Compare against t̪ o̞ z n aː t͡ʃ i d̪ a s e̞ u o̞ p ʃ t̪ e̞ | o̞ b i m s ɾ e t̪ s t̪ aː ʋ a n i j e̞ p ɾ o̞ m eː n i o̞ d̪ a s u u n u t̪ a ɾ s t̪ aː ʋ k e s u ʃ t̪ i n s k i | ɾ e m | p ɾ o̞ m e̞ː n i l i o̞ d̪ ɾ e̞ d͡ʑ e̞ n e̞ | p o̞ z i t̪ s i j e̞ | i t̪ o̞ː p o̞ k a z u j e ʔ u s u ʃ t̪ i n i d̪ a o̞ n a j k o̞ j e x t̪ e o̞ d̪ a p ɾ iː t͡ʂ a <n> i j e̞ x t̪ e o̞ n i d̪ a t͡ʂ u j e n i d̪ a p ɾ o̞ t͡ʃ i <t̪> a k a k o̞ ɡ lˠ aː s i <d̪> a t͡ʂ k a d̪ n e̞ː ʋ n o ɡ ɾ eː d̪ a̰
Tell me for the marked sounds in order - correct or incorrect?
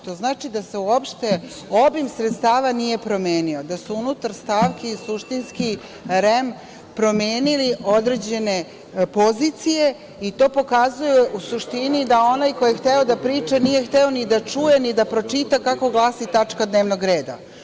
correct, correct, incorrect: t̪

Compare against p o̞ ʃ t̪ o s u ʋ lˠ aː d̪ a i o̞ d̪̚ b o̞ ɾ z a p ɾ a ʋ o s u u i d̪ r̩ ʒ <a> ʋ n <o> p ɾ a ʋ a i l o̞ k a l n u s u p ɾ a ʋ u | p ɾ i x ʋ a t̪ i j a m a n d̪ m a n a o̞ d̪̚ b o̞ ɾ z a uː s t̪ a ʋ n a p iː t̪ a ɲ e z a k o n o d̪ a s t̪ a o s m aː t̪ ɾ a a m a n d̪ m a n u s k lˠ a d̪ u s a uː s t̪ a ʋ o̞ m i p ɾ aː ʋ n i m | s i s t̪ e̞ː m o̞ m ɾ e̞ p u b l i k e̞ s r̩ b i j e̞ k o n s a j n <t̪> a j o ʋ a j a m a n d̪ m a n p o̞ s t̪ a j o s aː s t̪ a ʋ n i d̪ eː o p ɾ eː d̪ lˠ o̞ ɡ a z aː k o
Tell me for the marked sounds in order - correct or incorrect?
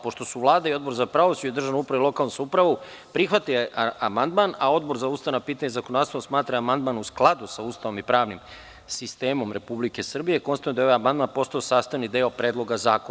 correct, incorrect: u, incorrect: d̪

